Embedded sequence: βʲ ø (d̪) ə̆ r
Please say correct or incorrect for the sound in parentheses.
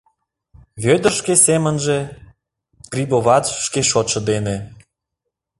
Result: correct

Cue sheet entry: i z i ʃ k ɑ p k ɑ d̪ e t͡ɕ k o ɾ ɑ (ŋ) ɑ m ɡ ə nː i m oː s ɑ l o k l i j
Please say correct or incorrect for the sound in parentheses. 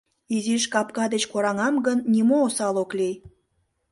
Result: correct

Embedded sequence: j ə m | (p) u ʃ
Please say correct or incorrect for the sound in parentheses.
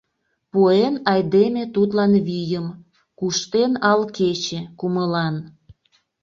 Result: incorrect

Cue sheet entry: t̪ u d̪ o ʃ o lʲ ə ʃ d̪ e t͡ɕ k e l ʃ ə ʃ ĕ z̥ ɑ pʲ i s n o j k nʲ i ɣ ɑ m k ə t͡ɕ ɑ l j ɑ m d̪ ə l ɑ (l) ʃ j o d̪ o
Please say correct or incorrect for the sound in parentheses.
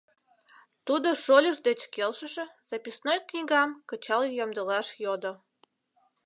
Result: incorrect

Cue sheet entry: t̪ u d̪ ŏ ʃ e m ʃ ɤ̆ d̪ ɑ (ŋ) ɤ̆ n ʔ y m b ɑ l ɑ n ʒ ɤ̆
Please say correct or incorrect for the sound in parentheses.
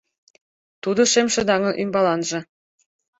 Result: correct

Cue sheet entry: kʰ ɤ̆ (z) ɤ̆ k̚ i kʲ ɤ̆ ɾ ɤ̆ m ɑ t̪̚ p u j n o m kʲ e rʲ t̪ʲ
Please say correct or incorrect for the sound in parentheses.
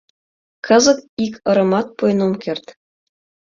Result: correct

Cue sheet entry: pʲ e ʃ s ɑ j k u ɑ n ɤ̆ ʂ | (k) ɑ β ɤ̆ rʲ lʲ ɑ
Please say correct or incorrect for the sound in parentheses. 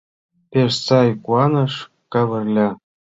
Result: correct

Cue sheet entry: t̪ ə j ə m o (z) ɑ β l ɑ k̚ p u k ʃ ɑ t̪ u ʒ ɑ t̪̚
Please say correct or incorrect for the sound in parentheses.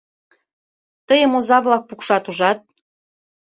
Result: correct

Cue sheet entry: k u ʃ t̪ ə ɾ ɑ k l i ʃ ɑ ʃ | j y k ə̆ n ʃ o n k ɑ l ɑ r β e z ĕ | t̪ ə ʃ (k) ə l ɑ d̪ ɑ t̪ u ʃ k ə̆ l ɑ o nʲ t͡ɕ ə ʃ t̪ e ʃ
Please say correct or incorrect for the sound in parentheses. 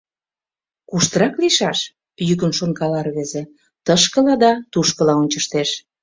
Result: correct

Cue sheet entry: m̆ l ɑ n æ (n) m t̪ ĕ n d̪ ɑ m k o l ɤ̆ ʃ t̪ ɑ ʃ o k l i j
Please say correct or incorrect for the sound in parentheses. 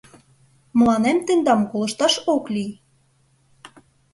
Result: incorrect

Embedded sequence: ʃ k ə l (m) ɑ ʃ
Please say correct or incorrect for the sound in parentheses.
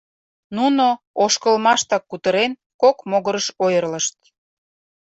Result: correct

